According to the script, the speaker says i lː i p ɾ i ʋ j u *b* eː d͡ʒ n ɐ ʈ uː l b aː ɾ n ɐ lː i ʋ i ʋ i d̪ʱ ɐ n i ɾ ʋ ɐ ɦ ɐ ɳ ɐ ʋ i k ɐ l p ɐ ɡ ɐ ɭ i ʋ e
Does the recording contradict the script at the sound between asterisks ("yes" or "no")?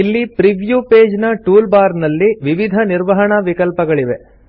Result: yes